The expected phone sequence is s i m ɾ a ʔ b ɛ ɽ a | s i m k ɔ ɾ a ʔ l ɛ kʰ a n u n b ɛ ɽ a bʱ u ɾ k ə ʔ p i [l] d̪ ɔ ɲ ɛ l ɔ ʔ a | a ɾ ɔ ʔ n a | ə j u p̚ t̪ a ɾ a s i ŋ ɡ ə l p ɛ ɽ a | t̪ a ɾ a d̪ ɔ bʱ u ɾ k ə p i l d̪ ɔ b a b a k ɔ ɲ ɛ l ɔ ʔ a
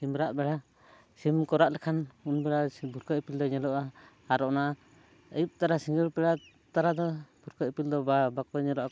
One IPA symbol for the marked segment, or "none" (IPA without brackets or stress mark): l